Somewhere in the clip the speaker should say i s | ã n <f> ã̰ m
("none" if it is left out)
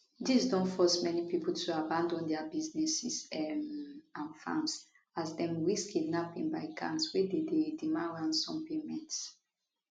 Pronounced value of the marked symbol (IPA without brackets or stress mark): f